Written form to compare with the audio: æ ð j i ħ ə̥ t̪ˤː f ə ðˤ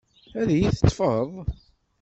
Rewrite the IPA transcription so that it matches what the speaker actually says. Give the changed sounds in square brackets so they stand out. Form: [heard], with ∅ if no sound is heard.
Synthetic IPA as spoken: æ ð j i [θ] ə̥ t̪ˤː f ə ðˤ

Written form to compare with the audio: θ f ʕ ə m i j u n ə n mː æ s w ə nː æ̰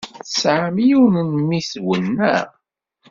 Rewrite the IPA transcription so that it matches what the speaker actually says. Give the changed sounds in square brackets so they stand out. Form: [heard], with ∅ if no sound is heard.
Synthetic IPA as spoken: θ [s] ʕ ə m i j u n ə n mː [i] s w ə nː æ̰

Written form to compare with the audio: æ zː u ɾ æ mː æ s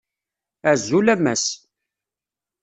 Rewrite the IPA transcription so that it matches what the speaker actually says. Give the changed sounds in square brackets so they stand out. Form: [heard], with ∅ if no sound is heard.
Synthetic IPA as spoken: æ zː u [l] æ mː æ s

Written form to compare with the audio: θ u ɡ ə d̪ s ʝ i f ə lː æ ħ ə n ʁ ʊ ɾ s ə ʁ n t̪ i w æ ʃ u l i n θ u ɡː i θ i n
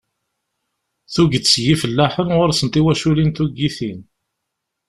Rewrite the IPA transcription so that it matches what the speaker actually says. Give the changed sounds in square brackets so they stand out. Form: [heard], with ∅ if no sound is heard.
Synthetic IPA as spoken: θ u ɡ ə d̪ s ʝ i f ə lː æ ħ ə n ʁ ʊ ɾ s ə [∅] n t̪ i w æ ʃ u l i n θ u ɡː i θ i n

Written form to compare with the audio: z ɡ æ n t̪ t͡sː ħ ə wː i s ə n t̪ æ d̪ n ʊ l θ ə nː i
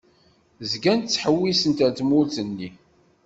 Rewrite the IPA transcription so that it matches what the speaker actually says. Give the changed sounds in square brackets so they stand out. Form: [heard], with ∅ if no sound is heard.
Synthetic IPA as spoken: z ɡ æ n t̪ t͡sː ħ ə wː i s ə n t̪ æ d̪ [m] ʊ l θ ə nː i

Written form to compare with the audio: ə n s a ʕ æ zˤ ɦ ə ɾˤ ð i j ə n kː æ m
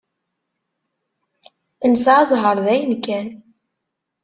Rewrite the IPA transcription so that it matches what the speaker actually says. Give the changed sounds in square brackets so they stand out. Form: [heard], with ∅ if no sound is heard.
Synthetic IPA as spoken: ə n s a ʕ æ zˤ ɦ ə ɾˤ ð [æ] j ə n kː æ [n]

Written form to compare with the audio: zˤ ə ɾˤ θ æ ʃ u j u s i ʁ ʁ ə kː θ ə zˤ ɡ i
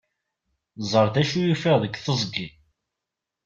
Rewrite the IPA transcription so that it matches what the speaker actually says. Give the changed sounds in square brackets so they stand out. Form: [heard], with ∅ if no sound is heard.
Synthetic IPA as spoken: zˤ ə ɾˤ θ æ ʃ u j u [f] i ʁ [ð] ə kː θ ə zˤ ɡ i

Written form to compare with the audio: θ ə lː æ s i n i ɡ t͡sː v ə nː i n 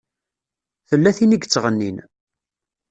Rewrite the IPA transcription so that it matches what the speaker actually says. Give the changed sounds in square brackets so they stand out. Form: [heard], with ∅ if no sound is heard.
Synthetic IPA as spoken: θ ə lː æ [θ] i n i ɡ t͡sː [ʁ] ə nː i n

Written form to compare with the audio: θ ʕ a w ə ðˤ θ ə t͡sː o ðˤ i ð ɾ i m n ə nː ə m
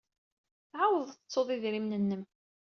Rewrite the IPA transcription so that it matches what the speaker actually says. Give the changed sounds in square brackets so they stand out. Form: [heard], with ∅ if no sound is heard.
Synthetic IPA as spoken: θ ʕ a w ə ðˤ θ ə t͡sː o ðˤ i ð ɾ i m n ə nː ə m

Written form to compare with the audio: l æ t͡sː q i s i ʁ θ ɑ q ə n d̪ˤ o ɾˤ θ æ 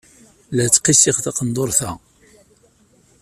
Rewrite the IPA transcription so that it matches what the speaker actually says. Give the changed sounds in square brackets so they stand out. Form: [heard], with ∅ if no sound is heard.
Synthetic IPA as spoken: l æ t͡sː q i s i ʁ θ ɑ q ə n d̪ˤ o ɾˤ θ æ

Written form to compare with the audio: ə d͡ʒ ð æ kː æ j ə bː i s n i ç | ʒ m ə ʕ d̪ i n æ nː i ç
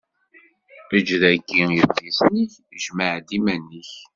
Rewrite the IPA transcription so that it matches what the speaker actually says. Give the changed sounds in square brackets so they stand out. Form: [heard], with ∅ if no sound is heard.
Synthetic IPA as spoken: ə d͡ʒ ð æ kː [i] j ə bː i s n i ç | ʒ m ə ʕ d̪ i [m] æ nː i ç

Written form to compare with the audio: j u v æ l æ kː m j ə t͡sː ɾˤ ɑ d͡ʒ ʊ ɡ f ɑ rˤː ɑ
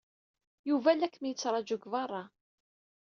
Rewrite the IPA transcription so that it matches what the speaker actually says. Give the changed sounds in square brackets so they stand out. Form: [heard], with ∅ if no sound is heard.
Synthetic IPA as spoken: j u v æ l æ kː m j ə t͡sː ɾˤ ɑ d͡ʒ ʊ ɡ [v] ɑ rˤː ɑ

